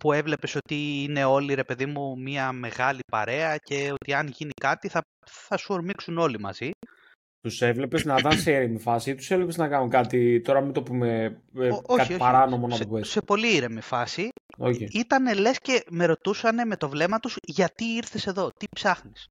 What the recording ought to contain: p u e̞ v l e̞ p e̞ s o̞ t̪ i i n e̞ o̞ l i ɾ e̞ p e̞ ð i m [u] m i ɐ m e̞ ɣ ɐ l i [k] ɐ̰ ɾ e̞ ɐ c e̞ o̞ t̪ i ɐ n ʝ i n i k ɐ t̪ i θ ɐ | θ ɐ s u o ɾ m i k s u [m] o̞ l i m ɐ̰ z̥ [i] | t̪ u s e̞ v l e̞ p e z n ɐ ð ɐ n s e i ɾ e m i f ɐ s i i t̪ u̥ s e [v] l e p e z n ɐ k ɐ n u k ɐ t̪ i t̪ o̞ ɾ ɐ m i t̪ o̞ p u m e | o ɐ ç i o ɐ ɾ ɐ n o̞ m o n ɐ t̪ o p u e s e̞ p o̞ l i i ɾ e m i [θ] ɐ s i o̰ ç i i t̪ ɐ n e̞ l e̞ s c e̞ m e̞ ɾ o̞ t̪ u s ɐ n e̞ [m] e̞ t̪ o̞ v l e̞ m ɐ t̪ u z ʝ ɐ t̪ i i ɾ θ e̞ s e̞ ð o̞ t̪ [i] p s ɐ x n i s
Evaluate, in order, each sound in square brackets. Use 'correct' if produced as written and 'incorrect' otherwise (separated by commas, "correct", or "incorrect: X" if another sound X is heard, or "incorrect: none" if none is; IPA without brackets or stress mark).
correct, incorrect: p, incorrect: n, correct, correct, incorrect: f, correct, correct